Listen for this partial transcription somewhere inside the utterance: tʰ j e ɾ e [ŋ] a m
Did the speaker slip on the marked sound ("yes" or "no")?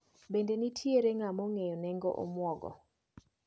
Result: no